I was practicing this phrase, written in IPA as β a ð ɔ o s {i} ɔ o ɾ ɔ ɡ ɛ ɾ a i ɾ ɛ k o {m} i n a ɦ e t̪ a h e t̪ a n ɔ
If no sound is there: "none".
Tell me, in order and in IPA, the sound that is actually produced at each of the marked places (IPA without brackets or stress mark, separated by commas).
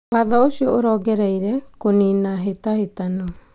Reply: i, n